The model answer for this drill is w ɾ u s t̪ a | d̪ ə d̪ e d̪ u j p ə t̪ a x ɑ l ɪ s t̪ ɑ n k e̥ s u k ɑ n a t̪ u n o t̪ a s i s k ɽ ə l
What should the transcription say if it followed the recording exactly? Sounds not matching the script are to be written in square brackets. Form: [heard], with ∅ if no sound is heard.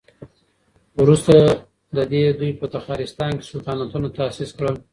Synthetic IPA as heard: w ɾ u s t̪ a | d̪ ə d̪ e d̪ u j p ə t̪ a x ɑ [ɾ] ɪ s t̪ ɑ n k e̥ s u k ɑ n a t̪ u n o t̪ a s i s k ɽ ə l